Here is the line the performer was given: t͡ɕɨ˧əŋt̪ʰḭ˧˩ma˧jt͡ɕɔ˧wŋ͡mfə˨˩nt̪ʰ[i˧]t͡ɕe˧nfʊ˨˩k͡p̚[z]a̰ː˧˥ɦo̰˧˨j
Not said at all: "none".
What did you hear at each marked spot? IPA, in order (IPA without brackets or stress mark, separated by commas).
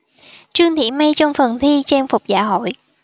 i˧, z